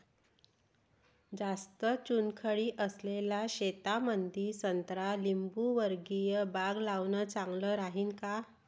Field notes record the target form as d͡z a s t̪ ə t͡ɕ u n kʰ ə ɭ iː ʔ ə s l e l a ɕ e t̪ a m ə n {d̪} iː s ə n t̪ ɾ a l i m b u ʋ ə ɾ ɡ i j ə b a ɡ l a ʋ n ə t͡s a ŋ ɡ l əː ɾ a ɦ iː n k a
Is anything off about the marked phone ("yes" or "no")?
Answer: no